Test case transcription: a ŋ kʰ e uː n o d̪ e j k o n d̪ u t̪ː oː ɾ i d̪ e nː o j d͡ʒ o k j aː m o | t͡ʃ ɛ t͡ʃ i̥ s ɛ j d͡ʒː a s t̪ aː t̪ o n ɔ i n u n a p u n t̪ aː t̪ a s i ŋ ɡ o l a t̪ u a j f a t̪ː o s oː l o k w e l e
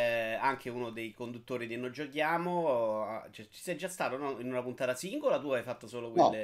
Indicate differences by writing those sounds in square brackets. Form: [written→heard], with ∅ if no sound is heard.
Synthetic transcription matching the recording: a ŋ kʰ e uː n o d̪ e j k o n d̪ u t̪ː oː ɾ i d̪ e nː o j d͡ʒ o k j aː m o | t͡ʃ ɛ t͡ʃ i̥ s ɛ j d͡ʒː a s t̪ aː t̪ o n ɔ i n u n a p u n t̪ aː t̪ a s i ŋ ɡ o l a t̪ u a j f a t̪ː o s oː l o k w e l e